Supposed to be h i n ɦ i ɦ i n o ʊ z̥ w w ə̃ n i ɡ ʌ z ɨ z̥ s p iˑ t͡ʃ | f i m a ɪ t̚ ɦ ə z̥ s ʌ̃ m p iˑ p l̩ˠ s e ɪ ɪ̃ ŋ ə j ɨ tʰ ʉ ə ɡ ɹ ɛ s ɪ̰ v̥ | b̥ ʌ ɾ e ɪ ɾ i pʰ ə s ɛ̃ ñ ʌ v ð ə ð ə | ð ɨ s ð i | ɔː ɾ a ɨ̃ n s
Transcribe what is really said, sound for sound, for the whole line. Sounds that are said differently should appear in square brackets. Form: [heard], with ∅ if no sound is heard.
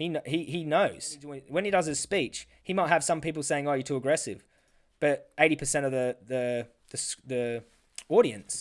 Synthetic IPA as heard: h i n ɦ i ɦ i n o ʊ z̥ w w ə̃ n i [d] ʌ z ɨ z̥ s p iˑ t͡ʃ | [h] i m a ɪ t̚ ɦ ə [v̥] s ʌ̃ m p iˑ p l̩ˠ s e ɪ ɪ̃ ŋ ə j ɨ tʰ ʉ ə ɡ ɹ ɛ s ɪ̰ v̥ | b̥ ʌ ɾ e ɪ ɾ i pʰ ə s ɛ̃ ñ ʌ v ð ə ð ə | ð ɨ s ð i | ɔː ɾ [i] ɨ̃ n s